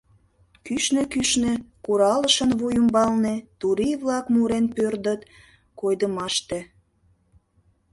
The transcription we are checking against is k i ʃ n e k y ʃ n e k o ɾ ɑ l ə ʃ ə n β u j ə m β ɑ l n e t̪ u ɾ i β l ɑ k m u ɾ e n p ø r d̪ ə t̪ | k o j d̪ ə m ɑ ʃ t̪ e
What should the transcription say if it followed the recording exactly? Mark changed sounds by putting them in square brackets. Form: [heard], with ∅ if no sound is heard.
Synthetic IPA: k [y] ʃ n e k y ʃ n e k [u] ɾ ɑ l ə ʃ ə n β u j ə m [b] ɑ l n e t̪ u ɾ i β l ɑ k m u ɾ e n p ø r d̪ ə t̪ | k o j d̪ ə m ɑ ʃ t̪ e